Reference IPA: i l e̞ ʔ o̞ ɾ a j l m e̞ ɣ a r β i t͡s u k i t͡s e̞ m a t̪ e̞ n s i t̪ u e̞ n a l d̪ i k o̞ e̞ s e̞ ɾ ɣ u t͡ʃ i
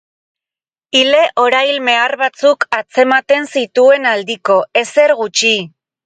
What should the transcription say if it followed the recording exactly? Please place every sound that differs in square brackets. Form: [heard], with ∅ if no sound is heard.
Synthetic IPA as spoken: i l e̞ ʔ o̞ ɾ a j l m e̞ [∅] a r β [a] t͡s u k [a] t͡s e̞ m a t̪ e̞ n s i t̪ u e̞ n a l d̪ i k o̞ e̞ s e̞ ɾ ɣ u t͡ʃ i